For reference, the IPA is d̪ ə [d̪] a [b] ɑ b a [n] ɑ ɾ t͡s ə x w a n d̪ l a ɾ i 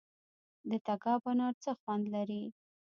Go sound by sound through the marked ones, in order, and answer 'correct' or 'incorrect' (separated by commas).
incorrect, incorrect, correct